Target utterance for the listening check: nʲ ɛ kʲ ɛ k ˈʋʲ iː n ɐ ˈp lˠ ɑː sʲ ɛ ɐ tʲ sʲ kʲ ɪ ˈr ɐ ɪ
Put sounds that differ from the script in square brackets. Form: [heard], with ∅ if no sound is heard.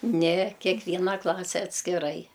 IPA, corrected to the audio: nʲ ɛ kʲ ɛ k ˈʋʲ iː n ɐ [ˈk] lˠ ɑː sʲ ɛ ɐ tʲ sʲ kʲ ɪ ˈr ɐ ɪ